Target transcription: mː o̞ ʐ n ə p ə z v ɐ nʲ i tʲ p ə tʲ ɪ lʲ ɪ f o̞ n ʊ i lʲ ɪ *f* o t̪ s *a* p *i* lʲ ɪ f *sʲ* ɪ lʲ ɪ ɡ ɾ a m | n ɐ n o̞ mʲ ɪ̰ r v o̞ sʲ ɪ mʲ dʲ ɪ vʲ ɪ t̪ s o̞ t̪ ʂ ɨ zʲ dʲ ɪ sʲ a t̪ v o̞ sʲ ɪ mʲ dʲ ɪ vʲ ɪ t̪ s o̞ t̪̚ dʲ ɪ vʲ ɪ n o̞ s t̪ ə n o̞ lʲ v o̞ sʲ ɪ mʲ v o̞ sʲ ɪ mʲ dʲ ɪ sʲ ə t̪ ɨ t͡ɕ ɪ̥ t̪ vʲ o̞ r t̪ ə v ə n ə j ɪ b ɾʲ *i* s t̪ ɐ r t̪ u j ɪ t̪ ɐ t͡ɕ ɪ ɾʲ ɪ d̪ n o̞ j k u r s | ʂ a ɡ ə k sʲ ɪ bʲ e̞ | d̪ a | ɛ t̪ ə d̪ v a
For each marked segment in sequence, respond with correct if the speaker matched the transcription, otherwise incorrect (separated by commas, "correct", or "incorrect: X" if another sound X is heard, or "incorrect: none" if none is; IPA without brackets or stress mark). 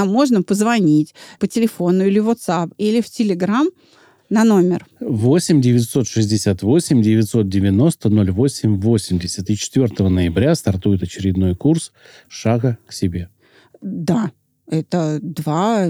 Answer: incorrect: v, correct, correct, incorrect: tʲ, incorrect: a